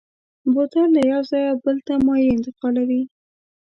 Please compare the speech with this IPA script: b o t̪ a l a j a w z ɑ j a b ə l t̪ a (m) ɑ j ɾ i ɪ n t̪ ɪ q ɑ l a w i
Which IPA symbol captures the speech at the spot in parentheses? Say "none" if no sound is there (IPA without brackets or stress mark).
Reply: m